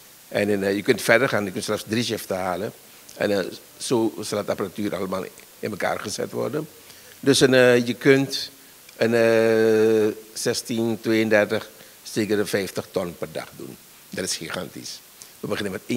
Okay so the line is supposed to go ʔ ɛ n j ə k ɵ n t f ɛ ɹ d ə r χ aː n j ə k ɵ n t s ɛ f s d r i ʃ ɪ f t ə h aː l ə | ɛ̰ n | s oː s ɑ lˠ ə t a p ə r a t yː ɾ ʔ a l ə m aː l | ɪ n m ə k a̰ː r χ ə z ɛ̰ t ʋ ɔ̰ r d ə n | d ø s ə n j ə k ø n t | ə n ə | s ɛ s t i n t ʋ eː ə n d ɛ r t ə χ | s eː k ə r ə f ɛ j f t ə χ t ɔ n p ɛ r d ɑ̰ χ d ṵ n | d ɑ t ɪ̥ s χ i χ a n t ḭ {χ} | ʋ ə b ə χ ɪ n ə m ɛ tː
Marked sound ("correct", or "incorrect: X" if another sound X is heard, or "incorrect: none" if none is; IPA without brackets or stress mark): incorrect: s